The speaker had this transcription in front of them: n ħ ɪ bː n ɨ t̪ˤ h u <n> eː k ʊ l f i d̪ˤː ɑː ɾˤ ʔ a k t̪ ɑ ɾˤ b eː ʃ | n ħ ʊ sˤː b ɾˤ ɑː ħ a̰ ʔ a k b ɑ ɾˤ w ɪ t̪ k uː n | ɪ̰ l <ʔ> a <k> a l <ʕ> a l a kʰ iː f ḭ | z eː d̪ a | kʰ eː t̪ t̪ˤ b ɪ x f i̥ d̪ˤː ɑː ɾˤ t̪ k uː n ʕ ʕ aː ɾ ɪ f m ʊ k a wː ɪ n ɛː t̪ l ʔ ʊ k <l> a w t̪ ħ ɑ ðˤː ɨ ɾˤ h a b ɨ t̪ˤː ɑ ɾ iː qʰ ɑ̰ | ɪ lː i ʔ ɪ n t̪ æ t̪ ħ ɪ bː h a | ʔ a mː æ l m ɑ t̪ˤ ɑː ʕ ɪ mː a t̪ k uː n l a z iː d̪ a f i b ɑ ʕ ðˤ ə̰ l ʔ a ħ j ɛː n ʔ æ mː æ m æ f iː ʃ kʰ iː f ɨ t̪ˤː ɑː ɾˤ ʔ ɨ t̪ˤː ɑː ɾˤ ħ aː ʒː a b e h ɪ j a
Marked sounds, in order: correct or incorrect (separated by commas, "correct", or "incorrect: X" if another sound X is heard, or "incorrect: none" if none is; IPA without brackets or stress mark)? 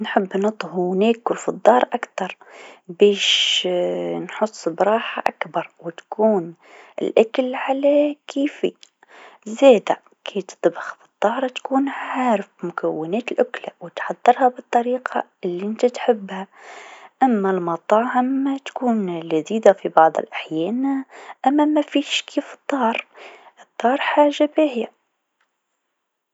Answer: correct, correct, correct, correct, correct